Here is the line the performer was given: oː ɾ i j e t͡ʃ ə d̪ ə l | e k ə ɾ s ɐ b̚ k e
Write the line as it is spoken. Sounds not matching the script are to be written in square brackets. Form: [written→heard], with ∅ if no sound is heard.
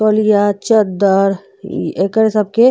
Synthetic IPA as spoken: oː [ɾ→l] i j [e→a] t͡ʃ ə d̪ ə [l→ɾ] | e k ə ɾ s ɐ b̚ k e